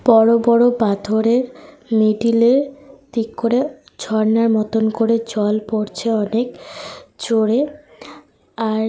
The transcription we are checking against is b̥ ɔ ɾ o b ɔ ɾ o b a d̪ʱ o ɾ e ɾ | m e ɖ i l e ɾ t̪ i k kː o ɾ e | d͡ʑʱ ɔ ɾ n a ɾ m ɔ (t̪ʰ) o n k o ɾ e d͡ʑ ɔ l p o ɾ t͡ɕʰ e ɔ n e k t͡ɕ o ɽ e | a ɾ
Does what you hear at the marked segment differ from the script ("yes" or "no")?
yes